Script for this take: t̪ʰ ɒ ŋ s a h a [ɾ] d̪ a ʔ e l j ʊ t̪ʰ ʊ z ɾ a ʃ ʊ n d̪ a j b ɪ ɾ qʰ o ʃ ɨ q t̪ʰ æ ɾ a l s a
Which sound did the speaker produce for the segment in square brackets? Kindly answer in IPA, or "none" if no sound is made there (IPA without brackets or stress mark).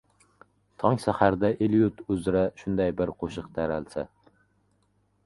ɾ